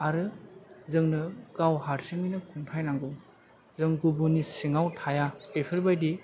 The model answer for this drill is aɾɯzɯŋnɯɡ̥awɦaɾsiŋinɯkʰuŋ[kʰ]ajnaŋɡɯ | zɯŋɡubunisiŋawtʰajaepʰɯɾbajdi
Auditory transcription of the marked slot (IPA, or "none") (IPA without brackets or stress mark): tʰ